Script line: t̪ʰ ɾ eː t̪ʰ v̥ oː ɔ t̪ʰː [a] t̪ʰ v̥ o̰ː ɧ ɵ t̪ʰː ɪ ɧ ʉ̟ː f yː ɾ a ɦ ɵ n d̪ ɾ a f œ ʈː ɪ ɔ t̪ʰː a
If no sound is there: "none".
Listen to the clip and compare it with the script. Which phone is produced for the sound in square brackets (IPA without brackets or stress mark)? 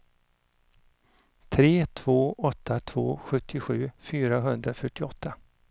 a